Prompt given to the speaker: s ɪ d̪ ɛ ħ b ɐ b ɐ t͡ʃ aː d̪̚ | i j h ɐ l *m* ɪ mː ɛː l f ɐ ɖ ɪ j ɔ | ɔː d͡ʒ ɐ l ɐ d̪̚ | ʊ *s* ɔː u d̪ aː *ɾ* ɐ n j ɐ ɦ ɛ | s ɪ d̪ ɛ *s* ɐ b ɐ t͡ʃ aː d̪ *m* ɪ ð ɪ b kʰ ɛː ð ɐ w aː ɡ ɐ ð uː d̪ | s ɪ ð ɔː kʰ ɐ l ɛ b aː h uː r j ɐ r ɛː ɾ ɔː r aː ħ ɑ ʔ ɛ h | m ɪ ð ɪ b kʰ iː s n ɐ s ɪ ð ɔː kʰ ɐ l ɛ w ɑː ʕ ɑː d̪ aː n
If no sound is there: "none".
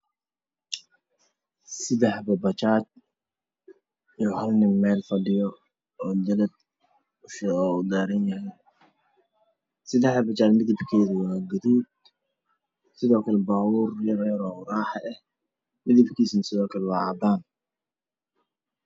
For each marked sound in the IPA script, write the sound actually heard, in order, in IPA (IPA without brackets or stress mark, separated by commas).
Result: n, ʃ, ɾ, ħ, m